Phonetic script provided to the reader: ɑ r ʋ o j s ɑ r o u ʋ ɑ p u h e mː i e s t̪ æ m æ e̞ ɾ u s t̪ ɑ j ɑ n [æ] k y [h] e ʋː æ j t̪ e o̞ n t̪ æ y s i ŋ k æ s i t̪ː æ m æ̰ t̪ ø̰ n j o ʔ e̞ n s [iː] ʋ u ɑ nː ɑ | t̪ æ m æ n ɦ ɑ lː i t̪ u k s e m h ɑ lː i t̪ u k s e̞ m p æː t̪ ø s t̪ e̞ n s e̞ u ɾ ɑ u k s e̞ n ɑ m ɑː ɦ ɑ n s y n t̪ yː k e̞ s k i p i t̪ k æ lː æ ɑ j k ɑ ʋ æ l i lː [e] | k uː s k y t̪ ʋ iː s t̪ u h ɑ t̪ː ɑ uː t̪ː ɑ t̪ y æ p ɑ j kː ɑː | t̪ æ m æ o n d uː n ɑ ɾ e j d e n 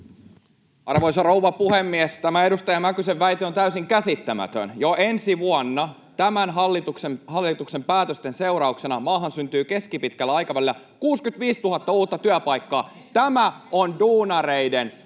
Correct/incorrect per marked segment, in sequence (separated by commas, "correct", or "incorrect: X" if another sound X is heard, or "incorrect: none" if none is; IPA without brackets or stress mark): correct, incorrect: s, incorrect: i, incorrect: æ